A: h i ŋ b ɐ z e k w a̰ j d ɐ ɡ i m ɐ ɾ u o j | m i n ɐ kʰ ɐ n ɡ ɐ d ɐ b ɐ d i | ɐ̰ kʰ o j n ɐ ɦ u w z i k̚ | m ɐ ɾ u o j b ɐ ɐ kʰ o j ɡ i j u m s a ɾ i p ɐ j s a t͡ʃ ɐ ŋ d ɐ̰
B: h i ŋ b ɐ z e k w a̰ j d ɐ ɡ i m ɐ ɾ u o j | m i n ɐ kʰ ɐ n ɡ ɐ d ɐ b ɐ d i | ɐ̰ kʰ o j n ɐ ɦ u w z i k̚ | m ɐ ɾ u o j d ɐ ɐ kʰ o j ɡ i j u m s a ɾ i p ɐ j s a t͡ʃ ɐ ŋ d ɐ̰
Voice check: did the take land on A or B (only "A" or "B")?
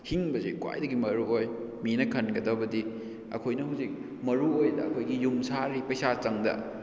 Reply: B